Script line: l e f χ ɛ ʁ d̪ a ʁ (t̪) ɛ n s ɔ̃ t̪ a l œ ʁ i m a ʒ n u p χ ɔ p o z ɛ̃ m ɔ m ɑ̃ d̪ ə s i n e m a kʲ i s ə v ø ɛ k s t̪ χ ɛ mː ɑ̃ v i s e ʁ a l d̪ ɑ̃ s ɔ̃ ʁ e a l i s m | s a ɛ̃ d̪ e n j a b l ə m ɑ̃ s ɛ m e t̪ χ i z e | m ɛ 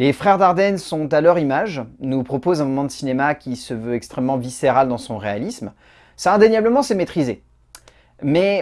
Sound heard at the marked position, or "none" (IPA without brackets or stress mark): d̪